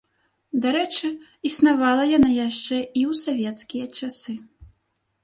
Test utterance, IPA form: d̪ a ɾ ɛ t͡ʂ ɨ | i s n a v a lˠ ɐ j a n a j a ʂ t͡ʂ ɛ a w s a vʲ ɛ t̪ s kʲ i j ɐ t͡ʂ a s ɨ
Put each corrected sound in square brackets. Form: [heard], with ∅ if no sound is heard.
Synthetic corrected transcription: d̪ a ɾ ɛ t͡ʂ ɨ | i s n a v a lˠ ɐ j a n a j a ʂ t͡ʂ ɛ [i] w s a vʲ ɛ t̪ s kʲ i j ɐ t͡ʂ a s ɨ

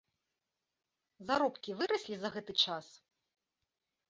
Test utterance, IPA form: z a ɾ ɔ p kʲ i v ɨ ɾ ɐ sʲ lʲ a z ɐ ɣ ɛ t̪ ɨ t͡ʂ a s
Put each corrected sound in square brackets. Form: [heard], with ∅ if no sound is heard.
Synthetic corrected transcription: z a ɾ ɔ p kʲ i v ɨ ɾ ɐ sʲ lʲ [i] z ɐ ɣ ɛ t̪ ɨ t͡ʂ a s

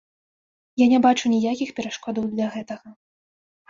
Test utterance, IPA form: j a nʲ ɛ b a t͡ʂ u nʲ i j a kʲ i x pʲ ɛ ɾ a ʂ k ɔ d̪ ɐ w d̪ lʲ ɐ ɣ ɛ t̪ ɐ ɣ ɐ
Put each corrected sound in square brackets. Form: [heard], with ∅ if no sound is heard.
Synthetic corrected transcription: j a nʲ ɛ b a t͡ʂ u nʲ i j a kʲ i x pʲ ɛ ɾ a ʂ k ɔ d̪ ɐ w d̪ lʲ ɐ ɣ ɛ t̪ ɐ ɣ ɐ

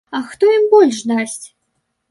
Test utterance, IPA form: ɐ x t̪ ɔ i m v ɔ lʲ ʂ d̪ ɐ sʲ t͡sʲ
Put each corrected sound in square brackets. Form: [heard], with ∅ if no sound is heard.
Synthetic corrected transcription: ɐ x t̪ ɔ i m [b] ɔ lʲ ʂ d̪ [a] sʲ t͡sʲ

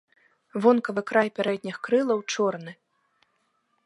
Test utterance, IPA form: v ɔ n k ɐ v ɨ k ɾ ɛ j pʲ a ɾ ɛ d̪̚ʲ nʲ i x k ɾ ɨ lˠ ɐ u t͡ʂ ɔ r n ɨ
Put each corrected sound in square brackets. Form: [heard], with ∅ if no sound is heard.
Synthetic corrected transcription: v ɔ n k ɐ v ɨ k ɾ [a] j pʲ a ɾ ɛ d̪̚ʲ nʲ i x k ɾ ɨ lˠ ɐ [w] t͡ʂ ɔ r n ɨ

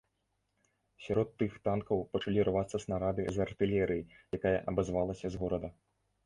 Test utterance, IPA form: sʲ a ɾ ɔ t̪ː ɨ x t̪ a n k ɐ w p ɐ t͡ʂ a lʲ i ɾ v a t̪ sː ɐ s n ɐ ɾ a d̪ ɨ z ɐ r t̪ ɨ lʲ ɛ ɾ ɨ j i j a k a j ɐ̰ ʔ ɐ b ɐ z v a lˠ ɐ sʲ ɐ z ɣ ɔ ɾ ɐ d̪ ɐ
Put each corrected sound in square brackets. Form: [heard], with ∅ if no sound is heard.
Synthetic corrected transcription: sʲ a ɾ ɔ t̪ː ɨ x t̪ a n k ɐ w p ɐ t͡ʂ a lʲ i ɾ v a t̪ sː ɐ s n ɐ ɾ a d̪ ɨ z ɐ r t̪ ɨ lʲ ɛ ɾ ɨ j i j a k a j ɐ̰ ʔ ɐ b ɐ z v a lˠ ɐ sʲ ɐ z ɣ ɔ ɾ ɐ d̪ ɐ

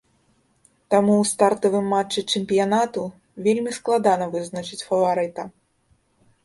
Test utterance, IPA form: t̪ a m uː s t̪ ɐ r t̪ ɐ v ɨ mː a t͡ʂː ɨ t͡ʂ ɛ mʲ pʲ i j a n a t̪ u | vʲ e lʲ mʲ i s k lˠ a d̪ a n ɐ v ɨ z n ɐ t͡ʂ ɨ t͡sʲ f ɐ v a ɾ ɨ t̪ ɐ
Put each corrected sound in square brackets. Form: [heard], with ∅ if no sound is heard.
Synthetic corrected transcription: t̪ a m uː s t̪ [a] r t̪ ɐ v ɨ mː a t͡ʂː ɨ t͡ʂ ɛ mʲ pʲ i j a n a t̪ u | vʲ e lʲ mʲ i s k lˠ a d̪ a n ɐ v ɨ z n ɐ t͡ʂ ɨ t͡sʲ f ɐ v a ɾ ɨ t̪ ɐ

